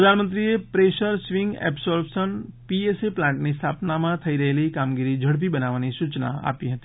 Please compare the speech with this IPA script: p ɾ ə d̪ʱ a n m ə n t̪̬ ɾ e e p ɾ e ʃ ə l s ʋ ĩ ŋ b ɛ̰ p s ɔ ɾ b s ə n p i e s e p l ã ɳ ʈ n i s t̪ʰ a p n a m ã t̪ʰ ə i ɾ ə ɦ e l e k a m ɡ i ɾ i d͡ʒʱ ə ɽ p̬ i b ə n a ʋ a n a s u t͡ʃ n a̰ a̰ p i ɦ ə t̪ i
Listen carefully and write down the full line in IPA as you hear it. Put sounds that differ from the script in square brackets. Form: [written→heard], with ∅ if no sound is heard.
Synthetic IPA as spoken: p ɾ ə d̪ʱ a n m ə n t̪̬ ɾ [e→i] e p ɾ e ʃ ə [l→ɾ] s ʋ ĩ ŋ [b→ɡ] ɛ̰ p s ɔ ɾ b s ə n p i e s e p l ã ɳ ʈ n i s t̪ʰ a p n a m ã t̪ʰ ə i ɾ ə ɦ e l [e→i] k a m ɡ i ɾ i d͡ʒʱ ə ɽ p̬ i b ə n a ʋ a n [a→i] s u t͡ʃ n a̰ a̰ p i ɦ ə t̪ i